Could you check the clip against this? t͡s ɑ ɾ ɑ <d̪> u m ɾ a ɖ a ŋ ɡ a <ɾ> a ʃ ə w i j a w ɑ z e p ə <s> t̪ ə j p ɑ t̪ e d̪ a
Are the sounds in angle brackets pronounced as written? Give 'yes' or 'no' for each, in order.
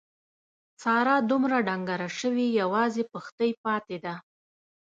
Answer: yes, yes, no

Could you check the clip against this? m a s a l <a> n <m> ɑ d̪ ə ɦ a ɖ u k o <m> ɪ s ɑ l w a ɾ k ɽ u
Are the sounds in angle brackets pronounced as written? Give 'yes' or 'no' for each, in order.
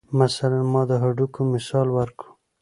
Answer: yes, yes, yes

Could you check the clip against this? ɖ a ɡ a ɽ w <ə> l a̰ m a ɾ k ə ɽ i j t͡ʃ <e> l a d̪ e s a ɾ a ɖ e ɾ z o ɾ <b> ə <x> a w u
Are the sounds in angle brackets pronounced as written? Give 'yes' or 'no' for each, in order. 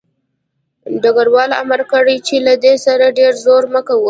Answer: no, yes, no, no

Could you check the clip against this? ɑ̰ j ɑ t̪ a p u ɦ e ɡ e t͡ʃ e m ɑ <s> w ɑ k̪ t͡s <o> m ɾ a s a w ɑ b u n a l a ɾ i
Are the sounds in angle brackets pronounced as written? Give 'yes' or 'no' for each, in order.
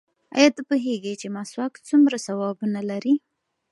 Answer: yes, no

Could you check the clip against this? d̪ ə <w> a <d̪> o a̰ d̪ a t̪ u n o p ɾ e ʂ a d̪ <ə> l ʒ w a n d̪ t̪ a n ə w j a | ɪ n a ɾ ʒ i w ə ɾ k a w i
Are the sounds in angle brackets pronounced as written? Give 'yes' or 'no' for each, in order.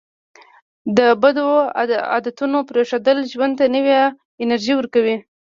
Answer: no, yes, yes

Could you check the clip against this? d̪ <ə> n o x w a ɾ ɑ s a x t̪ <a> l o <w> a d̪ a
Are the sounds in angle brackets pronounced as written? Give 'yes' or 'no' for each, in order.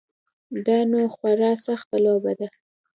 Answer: no, yes, no

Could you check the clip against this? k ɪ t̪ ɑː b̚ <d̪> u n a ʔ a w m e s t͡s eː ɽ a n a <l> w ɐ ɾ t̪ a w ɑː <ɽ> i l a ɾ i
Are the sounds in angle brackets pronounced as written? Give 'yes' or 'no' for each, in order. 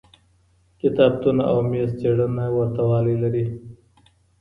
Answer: no, no, no

